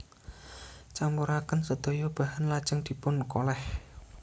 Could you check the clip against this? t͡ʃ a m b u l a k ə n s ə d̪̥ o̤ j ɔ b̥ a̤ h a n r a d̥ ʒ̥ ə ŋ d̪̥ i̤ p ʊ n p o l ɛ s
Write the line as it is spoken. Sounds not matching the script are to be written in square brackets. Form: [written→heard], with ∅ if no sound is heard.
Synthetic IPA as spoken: t͡ʃ a m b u [l→ɾ] a k ə n s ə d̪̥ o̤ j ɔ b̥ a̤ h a n [r→l] a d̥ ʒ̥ ə ŋ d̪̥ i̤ p ʊ n [p→k] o l ɛ [s→h]